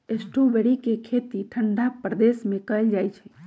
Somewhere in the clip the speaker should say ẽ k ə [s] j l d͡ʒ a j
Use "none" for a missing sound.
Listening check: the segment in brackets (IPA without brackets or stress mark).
none